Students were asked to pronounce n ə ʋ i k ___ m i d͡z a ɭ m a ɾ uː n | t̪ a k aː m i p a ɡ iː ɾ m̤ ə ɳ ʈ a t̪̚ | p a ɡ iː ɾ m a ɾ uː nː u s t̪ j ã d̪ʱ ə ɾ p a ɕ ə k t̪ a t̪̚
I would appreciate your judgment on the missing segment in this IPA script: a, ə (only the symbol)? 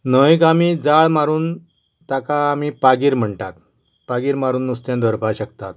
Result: a